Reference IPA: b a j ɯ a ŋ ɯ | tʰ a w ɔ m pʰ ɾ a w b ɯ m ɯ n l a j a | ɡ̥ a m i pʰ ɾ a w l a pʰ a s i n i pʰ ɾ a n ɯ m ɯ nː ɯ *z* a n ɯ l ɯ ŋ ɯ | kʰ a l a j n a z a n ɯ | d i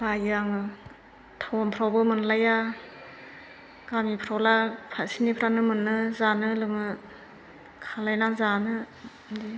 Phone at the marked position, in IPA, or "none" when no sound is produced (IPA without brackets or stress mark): z